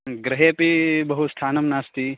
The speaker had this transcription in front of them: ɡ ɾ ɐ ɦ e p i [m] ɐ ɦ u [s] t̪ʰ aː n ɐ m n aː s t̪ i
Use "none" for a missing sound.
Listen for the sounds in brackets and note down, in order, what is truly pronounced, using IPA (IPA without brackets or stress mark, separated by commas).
b, s